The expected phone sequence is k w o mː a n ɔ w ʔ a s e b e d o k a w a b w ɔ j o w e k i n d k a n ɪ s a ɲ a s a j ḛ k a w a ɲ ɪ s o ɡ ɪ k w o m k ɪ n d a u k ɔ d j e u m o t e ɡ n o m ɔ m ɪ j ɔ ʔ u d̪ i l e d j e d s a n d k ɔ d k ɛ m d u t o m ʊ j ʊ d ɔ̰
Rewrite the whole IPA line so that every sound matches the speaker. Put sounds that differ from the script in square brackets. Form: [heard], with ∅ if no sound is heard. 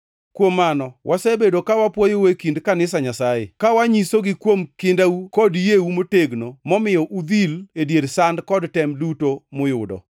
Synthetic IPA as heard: k w o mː a n ɔ w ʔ a s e b e d o k a w a [p] w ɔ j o w e k i n d k a n ɪ s a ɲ a s a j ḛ k a w a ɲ [i] s o ɡ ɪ k w o m k ɪ n d a u k ɔ d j e u m o t e ɡ n o m ɔ m ɪ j ɔ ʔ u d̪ i l e d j e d s a n d k ɔ d [t] ɛ m d u t o m ʊ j ʊ d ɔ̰